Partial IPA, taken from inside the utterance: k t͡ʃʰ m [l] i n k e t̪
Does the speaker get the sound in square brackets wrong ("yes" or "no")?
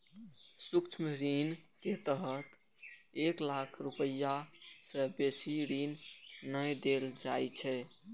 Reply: yes